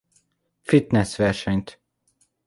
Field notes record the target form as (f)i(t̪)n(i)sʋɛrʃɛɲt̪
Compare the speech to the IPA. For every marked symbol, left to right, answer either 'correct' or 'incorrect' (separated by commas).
correct, correct, incorrect